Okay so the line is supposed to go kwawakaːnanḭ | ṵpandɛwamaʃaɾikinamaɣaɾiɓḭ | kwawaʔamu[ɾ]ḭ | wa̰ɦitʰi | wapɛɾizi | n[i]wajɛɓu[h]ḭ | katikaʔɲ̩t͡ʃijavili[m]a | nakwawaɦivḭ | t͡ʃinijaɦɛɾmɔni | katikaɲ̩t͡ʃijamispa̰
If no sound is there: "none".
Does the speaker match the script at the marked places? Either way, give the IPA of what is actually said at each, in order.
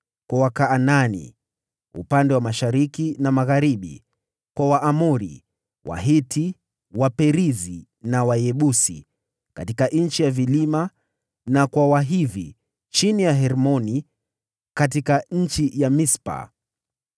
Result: ɾ, a, s, m

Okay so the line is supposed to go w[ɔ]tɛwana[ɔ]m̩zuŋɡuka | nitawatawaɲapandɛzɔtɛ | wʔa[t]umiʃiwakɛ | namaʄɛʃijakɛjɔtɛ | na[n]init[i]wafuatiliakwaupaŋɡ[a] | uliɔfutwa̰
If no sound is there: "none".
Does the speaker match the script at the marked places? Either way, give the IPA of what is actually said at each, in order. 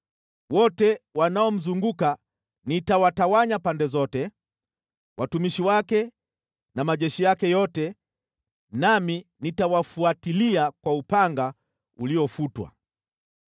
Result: ɔ, ɔ, t, m, a, a

